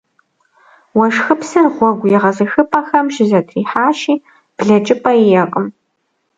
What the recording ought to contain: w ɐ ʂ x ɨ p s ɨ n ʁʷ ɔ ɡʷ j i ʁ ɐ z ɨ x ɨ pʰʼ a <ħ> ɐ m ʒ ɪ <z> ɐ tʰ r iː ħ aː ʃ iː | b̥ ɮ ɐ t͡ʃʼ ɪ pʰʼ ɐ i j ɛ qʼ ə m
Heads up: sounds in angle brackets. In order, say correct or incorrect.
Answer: incorrect: x, correct

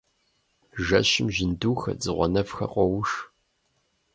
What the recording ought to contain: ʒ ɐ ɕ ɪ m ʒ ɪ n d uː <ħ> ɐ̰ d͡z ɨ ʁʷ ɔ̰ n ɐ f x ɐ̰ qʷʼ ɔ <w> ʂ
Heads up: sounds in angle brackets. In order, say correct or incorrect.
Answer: incorrect: x, correct

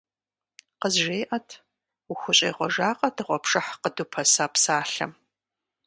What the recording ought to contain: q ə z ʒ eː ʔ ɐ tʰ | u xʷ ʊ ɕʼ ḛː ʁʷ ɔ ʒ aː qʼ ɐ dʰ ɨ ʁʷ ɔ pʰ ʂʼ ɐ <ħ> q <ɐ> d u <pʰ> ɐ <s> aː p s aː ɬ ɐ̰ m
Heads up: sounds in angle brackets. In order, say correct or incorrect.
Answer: correct, incorrect: ə, correct, correct

